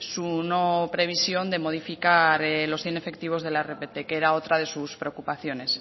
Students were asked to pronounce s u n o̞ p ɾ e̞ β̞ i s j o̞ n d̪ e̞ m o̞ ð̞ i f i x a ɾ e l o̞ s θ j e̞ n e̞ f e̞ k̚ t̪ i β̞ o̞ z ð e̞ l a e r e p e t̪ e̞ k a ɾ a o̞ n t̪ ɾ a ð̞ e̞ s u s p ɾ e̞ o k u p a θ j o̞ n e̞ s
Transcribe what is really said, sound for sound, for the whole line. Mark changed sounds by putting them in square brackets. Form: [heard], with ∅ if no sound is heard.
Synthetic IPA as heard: s u n o̞ p ɾ e̞ β̞ i s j o̞ n d̪ e̞ m o̞ ð̞ i f i [k] a ɾ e l o̞ s θ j e̞ n e̞ f e̞ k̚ t̪ i β̞ o̞ z ð e̞ l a e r e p e t̪ e̞ k [e] ɾ a o̞ [∅] t̪ ɾ a ð̞ e̞ s u s p ɾ e̞ o k u p a θ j o̞ n e̞ s